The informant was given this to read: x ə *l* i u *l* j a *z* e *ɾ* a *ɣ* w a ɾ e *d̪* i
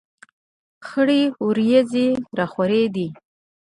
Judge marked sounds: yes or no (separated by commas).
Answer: no, no, yes, yes, no, yes